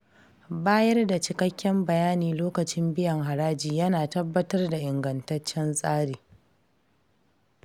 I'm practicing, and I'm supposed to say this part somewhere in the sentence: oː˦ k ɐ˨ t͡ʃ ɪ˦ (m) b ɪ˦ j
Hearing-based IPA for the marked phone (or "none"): m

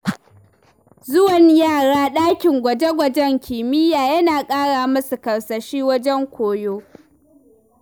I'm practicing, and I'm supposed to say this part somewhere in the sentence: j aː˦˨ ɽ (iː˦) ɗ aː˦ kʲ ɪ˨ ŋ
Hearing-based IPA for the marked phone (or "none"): aː˦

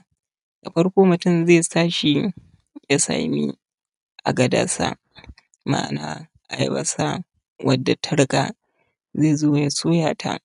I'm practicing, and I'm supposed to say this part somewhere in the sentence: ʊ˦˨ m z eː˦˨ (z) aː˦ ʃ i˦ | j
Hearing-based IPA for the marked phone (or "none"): s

